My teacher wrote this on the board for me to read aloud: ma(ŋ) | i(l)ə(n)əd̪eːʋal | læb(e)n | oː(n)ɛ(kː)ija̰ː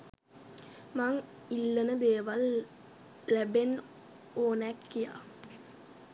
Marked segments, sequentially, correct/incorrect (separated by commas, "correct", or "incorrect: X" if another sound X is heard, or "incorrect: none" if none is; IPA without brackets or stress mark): correct, incorrect: lː, correct, correct, correct, correct